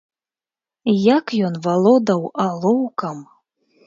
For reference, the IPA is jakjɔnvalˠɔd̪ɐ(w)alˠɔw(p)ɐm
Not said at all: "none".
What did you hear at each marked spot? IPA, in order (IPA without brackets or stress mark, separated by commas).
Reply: w, k